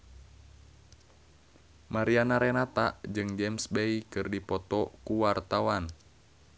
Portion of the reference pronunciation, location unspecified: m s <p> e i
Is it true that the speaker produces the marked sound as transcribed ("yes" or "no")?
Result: no